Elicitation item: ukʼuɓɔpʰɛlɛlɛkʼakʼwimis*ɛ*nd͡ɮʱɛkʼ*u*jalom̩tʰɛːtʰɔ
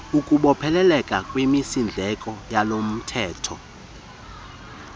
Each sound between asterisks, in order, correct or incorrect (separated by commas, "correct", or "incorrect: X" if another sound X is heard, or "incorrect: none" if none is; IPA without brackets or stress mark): incorrect: i, incorrect: ɔ